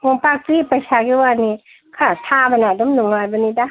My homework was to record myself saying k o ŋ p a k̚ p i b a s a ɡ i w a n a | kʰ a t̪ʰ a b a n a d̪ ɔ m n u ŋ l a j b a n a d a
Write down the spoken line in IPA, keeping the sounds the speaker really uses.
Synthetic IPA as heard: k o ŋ p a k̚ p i p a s a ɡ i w a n i | kʰ a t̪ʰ a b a n a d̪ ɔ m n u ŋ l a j b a n i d a